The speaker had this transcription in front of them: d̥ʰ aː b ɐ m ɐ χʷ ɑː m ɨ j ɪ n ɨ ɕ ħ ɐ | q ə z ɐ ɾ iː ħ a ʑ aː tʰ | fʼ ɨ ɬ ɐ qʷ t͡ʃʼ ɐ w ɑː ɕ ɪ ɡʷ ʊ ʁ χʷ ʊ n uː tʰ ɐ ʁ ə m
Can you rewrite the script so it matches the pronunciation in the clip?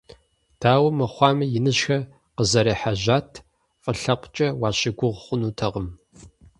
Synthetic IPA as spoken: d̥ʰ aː w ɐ m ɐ χʷ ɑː m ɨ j ɪ n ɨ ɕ x ɐ | q ə z ɐ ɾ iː ħ a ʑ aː tʰ | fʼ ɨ ɬ ɐ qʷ t͡ʃʼ ɐ w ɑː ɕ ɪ ɡʷ ʊ ʁ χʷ ʊ n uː tʰ ɐ ʁ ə m

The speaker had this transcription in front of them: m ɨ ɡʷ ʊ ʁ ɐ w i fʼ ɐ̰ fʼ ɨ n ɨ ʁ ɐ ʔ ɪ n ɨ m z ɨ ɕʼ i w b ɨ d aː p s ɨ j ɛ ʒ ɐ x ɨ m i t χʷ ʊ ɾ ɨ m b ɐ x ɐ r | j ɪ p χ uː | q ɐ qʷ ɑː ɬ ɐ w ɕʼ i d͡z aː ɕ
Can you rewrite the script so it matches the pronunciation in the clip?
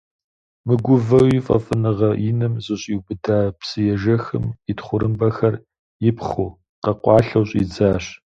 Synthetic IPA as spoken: m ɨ ɡʷ ʊ v ɐ w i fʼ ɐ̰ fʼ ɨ n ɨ ʁ ɐ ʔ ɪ n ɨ m z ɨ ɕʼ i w b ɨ d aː p s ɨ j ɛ ʒ ɐ x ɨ m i t χʷ ʊ ɾ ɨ m b ɐ x ɐ r | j ɪ p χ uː | q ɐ qʷ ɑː ɬ ɐ w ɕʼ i d͡z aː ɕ

